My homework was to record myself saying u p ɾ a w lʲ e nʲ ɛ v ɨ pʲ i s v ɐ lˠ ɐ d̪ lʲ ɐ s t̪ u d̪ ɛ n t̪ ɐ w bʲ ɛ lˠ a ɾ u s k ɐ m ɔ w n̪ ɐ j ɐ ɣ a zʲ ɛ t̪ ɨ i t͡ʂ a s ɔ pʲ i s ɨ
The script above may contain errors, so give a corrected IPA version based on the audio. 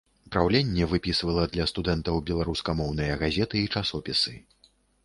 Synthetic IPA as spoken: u p ɾ a w lʲ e nʲː ɛ v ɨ pʲ i s v ɐ lˠ ɐ d̪ lʲ ɐ s t̪ u d̪ ɛ n t̪ ɐ w bʲ ɛ lˠ a ɾ u s k ɐ m ɔ w n̪ ɐ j ɐ ɣ a zʲ ɛ t̪ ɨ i t͡ʂ a s ɔ pʲ i s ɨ